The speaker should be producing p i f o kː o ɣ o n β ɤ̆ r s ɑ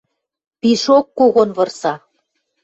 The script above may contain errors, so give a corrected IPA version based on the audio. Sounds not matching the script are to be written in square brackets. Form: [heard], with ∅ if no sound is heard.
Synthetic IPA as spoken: p i [ʃ] o kː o ɣ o n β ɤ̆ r s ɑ